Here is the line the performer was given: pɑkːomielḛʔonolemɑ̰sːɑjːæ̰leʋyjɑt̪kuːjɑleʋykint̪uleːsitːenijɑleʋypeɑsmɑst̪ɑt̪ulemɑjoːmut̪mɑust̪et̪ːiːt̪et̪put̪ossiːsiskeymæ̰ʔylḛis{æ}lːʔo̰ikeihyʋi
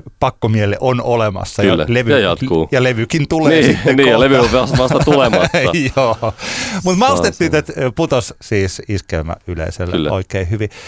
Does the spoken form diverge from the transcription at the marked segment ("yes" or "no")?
yes